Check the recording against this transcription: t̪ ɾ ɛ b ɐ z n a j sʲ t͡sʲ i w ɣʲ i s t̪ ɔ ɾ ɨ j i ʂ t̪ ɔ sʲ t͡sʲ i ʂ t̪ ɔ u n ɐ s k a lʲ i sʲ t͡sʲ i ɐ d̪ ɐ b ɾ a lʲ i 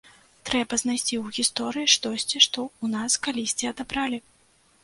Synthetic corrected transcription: t̪ ɾ ɛ b ɐ z n a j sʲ t͡sʲ i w ɣʲ i s t̪ ɔ ɾ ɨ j i ʂ t̪ ɔ sʲ t͡sʲ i ʂ t̪ ɔ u n a s k a lʲ i sʲ t͡sʲ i ɐ d̪ a b ɾ a lʲ i